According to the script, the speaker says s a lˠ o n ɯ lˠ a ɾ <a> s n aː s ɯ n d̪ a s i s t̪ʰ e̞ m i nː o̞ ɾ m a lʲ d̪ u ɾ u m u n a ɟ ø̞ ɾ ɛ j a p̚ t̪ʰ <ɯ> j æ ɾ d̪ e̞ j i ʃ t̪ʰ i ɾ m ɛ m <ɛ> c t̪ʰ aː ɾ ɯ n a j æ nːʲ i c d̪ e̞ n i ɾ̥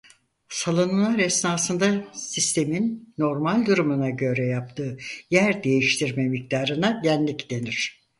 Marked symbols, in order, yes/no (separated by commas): no, no, no